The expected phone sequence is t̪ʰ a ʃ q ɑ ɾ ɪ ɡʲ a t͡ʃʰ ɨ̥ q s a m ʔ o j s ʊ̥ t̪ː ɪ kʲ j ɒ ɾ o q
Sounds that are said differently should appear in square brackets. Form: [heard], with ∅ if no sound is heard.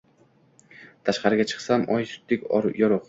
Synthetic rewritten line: t̪ʰ a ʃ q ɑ ɾ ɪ ɡʲ a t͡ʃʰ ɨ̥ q s a m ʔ [ɒ] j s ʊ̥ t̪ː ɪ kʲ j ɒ ɾ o q